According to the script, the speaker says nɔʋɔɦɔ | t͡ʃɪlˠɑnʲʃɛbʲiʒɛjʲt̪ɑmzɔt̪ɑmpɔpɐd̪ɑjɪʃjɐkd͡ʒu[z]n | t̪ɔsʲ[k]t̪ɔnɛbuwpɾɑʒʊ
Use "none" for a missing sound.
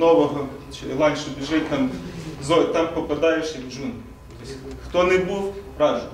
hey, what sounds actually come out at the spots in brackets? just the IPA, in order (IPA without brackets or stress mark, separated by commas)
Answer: none, x